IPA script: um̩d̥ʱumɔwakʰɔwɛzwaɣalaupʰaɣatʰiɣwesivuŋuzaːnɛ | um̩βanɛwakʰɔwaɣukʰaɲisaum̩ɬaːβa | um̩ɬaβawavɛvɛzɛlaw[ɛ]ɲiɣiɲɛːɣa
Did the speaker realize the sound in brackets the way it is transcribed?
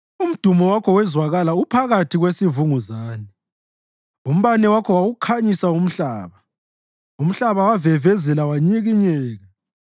no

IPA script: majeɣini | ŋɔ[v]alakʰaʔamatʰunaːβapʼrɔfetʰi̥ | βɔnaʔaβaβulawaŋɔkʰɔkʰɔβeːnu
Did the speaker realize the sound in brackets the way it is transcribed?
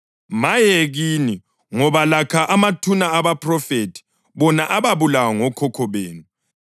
no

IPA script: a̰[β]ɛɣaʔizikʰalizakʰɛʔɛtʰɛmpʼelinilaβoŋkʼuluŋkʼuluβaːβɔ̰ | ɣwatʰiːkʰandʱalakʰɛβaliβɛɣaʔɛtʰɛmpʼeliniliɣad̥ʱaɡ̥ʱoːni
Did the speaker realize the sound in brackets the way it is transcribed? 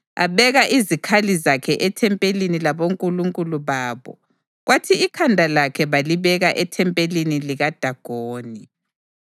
yes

